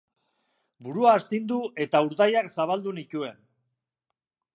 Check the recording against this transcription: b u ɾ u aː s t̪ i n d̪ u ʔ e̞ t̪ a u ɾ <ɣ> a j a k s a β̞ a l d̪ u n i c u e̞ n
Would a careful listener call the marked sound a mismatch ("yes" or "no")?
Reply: yes